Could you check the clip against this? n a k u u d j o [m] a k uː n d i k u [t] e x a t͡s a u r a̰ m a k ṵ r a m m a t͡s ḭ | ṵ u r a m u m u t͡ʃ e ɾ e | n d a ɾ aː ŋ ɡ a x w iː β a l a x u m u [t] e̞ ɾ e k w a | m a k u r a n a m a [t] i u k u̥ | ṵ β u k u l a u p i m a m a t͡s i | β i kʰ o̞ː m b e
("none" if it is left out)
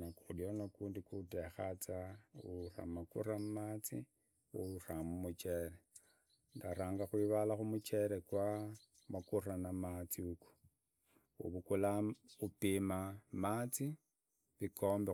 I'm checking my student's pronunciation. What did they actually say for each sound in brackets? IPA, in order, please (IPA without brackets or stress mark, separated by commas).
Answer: n, t, t͡ʃ, t͡s